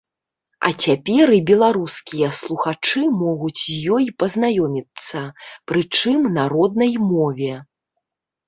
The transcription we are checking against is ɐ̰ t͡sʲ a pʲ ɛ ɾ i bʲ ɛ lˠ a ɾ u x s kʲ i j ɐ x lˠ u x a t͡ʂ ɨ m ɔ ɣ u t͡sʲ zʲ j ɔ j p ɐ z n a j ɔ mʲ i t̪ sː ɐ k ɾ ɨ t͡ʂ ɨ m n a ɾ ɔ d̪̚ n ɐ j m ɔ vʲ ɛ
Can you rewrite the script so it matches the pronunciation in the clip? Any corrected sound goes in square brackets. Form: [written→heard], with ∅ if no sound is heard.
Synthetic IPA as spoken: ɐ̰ t͡sʲ a pʲ ɛ ɾ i bʲ ɛ lˠ a ɾ u [x→∅] s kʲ i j ɐ [x→s] lˠ u x a t͡ʂ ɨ m ɔ ɣ u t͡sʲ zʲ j ɔ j p ɐ z n a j ɔ mʲ i t̪ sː ɐ [k→p] ɾ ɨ t͡ʂ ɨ m n a ɾ ɔ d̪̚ n ɐ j m ɔ vʲ ɛ